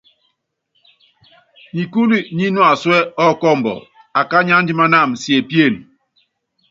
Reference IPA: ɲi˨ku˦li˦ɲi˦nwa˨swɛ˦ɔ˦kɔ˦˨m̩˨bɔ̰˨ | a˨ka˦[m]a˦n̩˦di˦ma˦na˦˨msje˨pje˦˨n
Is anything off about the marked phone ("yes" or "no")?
yes